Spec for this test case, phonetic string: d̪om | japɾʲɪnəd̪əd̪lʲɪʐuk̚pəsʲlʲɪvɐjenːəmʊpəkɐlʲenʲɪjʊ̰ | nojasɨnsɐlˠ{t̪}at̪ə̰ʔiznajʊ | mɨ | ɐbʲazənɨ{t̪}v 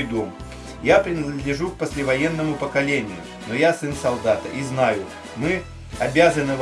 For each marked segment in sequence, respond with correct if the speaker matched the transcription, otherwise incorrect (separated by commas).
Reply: incorrect, incorrect